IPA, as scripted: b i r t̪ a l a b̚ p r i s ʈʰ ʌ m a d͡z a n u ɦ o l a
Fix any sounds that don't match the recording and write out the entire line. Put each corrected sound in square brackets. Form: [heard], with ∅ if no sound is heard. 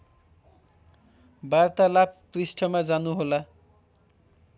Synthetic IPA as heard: b [a] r t̪ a l a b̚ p r i s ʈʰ ʌ m a d͡z a n u ɦ o l a